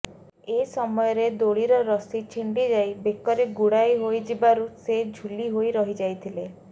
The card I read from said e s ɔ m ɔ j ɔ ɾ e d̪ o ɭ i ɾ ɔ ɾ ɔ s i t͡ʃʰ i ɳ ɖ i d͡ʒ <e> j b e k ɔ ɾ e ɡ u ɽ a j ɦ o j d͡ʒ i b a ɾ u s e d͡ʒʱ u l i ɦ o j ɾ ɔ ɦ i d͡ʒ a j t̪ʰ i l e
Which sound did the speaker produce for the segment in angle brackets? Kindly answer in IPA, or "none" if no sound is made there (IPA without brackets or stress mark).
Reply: a